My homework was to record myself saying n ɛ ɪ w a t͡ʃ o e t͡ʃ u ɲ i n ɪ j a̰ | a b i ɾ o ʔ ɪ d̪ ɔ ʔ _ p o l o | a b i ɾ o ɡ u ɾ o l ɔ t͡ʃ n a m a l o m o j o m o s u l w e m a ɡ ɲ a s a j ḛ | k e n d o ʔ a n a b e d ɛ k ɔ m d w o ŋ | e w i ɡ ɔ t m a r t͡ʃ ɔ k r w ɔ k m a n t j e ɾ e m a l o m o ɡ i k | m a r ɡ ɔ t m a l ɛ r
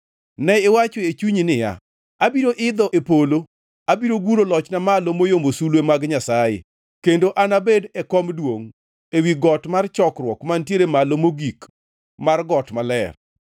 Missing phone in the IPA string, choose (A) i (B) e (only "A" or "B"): B